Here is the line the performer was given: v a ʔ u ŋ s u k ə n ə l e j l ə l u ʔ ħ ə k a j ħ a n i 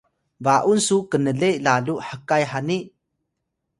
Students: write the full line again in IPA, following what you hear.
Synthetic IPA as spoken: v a ʔ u n s u k ə n ə l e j l a l u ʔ ħ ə k a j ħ a n i